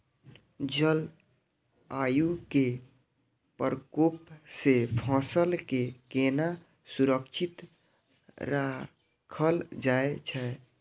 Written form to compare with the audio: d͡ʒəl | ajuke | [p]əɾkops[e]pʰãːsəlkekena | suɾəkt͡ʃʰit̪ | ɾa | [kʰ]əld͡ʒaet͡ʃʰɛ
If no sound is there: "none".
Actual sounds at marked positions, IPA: p, e, kʰ

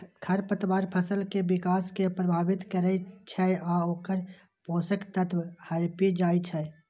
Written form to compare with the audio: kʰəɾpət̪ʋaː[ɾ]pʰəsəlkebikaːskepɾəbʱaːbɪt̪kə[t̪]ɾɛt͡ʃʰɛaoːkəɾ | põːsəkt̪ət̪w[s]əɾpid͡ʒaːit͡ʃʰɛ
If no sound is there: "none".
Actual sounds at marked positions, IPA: ɾ, none, h

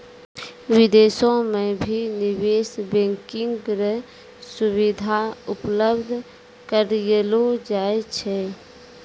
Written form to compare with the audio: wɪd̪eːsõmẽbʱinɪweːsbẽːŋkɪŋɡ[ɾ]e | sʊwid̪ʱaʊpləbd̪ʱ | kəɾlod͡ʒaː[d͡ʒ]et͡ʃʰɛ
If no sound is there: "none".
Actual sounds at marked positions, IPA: ɾ, none

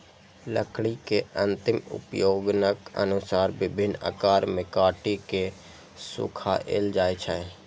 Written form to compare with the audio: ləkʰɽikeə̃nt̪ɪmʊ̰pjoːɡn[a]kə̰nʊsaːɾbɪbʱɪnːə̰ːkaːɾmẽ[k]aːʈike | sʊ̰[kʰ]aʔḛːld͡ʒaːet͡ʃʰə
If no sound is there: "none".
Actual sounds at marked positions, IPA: ə, k, kʰ

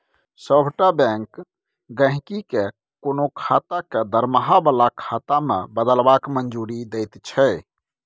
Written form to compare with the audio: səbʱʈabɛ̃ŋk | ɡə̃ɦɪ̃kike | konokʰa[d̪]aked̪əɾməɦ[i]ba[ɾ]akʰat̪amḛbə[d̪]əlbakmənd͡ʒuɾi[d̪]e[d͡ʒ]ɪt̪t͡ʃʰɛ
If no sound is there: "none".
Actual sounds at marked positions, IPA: t̪, a, l, d̪, d̪, none

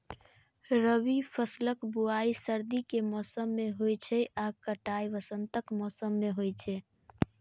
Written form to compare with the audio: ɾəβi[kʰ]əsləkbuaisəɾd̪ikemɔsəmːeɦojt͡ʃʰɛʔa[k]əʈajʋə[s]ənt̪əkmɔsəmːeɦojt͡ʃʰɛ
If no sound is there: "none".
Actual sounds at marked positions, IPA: pʰ, k, s

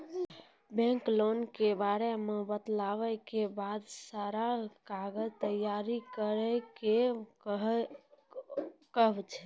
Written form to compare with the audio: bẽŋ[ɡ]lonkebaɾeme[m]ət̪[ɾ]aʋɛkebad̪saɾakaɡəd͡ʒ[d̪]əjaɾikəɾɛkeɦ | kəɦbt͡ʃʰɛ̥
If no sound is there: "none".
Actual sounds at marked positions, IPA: k, b, l, t̪

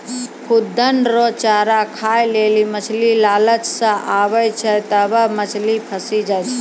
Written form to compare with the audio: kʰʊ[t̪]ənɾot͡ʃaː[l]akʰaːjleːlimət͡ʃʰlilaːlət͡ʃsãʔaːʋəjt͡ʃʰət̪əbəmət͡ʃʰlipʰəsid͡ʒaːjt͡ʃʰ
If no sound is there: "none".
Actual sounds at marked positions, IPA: d̪, ɾ

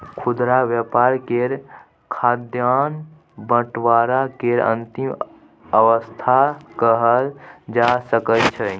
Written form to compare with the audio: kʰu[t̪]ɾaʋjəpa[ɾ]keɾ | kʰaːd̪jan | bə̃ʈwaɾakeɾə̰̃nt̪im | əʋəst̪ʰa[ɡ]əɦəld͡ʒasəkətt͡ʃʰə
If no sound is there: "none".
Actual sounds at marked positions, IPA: d̪, ɾ, k

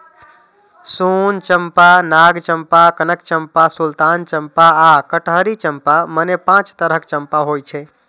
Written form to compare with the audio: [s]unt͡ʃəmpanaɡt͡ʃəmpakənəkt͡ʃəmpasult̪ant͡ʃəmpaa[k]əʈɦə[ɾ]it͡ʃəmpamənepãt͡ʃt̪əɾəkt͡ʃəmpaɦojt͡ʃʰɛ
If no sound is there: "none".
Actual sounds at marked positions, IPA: s, k, ɾ

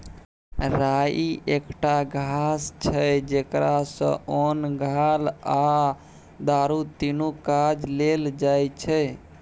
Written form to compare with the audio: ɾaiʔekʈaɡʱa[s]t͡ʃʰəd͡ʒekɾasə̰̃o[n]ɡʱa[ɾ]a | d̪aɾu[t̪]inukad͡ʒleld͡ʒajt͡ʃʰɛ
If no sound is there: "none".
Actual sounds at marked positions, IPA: s, n, l, t̪

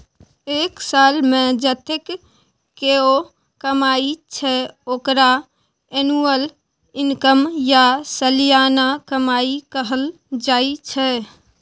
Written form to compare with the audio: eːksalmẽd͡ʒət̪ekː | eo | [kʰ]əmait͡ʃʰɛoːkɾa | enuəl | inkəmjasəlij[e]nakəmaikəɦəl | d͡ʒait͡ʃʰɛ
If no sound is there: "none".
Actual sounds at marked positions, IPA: k, a

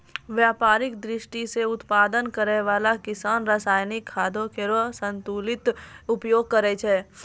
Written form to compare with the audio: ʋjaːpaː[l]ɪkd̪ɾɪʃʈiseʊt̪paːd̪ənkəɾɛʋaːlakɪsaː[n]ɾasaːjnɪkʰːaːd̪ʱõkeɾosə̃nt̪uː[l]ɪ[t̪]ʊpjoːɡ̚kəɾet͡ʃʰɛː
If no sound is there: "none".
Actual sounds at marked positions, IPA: ɾ, n, l, t̪

